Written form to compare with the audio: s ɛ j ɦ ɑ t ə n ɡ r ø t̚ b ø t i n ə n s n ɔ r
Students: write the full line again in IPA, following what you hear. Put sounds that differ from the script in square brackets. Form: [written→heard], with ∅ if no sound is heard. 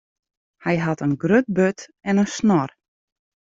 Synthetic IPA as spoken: [s→h] ɛ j ɦ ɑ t ə n ɡ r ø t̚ b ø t [i→ɛ] n ə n s n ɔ r